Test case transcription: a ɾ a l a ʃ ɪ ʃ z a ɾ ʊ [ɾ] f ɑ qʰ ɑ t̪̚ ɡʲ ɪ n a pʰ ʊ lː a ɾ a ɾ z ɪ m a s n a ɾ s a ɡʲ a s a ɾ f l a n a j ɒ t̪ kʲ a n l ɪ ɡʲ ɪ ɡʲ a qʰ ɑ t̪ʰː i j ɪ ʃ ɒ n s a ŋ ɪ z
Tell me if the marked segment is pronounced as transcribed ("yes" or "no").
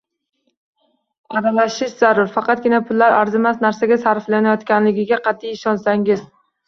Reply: yes